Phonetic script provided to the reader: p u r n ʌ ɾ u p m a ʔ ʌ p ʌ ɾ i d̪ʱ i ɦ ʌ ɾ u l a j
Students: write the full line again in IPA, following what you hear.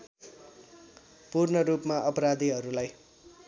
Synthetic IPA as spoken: p u r n ʌ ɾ u p m a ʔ ʌ p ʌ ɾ a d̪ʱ i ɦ ʌ ɾ u l a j